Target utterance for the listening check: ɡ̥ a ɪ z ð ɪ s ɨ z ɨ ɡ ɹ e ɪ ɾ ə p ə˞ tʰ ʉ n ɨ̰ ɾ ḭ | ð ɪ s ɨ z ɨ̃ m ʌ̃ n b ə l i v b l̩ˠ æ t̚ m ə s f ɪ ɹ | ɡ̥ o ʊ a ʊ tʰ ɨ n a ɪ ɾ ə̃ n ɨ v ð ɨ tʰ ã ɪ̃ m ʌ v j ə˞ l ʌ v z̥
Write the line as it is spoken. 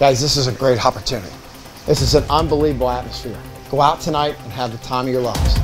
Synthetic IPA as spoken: ɡ̥ a ɪ z ð ɪ s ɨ z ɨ ɡ ɹ e ɪ ɾ ɑ p ə˞ tʰ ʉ n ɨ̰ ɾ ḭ | ð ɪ s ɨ z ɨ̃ n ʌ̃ n b ə l i v b l̩ˠ æ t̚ m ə s f ɪ ɹ | ɡ̥ o ʊ a ʊ tʰ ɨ n a ɪ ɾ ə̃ n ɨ v ð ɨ tʰ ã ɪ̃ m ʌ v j ə˞ l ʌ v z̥

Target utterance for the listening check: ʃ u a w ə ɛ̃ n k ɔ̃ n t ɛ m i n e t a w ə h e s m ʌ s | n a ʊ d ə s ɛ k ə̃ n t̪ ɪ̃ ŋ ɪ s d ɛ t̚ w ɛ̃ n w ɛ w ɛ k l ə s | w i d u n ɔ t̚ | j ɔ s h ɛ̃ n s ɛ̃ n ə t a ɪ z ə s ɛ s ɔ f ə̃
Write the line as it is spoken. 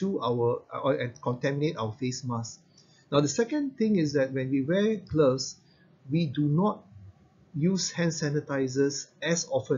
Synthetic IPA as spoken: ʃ u a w ə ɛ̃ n k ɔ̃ n t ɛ m i n e t a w ə f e s m a s | n a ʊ d ə s ɛ k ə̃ n t̪ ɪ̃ ŋ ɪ s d ɛ t̚ w ɛ̃ n w i w ɛ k l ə s | w i d u n ɔ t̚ | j u s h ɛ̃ n s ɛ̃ n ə t a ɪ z ə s ɛ s ɔ f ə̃

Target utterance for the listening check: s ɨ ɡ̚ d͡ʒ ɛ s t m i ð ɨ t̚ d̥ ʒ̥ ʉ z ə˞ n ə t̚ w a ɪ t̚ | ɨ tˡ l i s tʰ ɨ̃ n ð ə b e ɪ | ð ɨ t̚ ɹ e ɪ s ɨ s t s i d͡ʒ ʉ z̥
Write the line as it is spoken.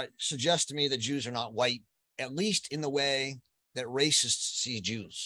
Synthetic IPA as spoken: s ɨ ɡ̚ d͡ʒ ɛ s t m i ð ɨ t̚ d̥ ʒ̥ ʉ z ə˞ n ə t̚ w a ɪ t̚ | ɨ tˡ l i s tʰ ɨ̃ n ð ə w e ɪ | ð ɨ t̚ ɹ e ɪ s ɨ s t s i d͡ʒ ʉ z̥

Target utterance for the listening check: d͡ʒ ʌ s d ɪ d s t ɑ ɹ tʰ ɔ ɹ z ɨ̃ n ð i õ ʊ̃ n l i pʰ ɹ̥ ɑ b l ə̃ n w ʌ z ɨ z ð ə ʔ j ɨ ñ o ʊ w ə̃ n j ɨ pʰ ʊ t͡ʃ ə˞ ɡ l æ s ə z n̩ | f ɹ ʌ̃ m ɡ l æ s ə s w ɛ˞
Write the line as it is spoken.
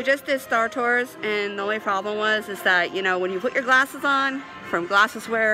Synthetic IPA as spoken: d͡ʒ ʌ s d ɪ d s t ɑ ɹ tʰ ɔ ɹ z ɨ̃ n ð i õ ʊ̃ n l i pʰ ɹ̥ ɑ b l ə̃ m w ʌ z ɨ z ð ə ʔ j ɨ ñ o ʊ w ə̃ n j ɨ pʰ ʊ t͡ʃ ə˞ ɡ l æ s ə z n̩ | f ɹ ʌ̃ m ɡ l æ s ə z w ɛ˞

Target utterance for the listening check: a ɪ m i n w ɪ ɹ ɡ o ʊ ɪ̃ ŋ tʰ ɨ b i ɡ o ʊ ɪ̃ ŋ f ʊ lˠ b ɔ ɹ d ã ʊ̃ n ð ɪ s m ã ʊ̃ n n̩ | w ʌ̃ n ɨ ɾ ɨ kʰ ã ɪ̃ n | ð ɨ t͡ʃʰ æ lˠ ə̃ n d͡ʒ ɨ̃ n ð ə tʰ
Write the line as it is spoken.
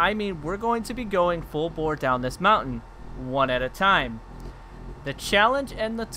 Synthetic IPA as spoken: a ɪ m ĩ n w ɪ ɹ ɡ o ʊ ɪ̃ ŋ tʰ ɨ b i ɡ o ʊ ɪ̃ ŋ f ʊ lˠ b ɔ ɹ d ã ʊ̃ n ð ɪ s m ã ʊ̃ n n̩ | w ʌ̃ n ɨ ɾ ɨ tʰ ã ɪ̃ m | ð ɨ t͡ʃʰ æ lˠ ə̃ n d͡ʒ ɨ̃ n ð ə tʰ

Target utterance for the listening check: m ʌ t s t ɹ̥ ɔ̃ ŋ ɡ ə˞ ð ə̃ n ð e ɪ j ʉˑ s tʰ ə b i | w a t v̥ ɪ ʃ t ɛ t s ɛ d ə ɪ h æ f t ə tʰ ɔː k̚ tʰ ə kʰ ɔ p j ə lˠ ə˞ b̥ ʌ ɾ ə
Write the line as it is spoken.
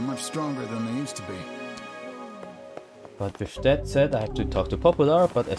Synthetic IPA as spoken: m ʌ t͡ʃ s t ɹ̥ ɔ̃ ŋ ɡ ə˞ ð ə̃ n ð e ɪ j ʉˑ s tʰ ə b i | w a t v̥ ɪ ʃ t ɛ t s ɛ d a ɪ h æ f t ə tʰ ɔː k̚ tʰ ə pʰ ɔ p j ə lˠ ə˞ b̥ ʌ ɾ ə

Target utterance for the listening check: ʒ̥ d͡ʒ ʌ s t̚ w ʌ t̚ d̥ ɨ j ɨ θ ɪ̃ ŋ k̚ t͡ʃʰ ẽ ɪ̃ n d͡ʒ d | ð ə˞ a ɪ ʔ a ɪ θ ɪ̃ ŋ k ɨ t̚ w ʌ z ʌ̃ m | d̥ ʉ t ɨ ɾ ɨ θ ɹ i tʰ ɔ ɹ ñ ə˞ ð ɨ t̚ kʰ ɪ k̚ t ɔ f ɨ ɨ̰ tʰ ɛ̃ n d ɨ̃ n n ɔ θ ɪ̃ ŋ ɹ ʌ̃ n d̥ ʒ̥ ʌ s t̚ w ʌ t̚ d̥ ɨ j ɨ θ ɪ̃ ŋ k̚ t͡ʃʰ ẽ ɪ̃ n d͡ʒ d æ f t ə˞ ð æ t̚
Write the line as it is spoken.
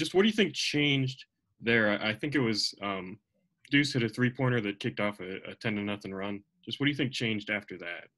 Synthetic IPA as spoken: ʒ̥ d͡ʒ ʌ s t̚ w ʌ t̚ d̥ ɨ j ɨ θ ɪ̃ ŋ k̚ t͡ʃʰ ẽ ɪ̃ n d͡ʒ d | ð ə˞ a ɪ ʔ a ɪ θ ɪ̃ ŋ k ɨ t̚ w ʌ z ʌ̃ m | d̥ ʉ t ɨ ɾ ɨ θ ɹ i pʰ ɔ ɹ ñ ə˞ ð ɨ t̚ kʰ ɪ k̚ t ɔ f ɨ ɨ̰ tʰ ɛ̃ n d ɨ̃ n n ʌ θ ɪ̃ ŋ ɹ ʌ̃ n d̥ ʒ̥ ʌ s t̚ w ʌ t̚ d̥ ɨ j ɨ θ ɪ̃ ŋ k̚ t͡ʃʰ ẽ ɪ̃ n d͡ʒ d æ f t ə˞ ð æ t̚

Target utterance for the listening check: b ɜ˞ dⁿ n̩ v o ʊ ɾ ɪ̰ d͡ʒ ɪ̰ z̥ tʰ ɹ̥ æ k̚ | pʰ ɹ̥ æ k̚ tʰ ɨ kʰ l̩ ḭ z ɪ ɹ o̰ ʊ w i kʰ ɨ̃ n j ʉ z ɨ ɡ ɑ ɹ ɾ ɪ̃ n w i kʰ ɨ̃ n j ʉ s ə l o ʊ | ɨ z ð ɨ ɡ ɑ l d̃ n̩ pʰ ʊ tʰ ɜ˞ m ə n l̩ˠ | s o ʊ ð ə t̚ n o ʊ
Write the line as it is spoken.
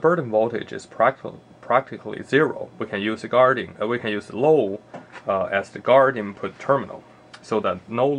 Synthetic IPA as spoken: b ɜ˞ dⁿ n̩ v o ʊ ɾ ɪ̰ d͡ʒ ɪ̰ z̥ pʰ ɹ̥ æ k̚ | pʰ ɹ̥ æ k̚ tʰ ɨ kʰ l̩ ḭ z ɪ ɹ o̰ ʊ w i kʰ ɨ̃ n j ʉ z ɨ ɡ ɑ ɹ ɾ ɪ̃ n w i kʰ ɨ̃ n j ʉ z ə l o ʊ | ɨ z ð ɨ ɡ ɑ ɹ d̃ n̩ pʰ ʊ tʰ ɜ˞ m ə n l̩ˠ | s o ʊ ð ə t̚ n o ʊ

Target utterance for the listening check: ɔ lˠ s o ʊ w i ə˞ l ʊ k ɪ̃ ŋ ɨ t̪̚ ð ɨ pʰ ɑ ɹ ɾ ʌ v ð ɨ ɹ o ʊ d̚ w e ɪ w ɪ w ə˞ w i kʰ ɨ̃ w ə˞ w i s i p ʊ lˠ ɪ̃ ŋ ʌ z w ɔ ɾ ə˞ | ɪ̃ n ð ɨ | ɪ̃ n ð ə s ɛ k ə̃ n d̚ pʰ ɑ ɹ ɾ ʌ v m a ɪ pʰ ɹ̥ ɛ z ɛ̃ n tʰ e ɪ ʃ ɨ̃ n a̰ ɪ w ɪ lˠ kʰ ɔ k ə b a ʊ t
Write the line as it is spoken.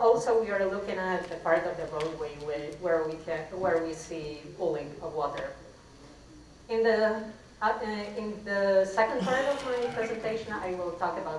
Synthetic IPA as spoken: ɔ lˠ s o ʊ w i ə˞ l ʊ k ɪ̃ ŋ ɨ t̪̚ ð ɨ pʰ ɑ ɹ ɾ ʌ v ð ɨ ɹ o ʊ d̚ w e ɪ w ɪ w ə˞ w i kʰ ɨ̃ w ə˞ w i s i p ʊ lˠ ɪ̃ ŋ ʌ v w ɔ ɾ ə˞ | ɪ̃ n ð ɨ | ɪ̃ n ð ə s ɛ k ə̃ n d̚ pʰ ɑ ɹ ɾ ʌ v m a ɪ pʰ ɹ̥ ɛ z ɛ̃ n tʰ e ɪ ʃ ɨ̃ n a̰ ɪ w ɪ lˠ tʰ ɔ k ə b a ʊ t

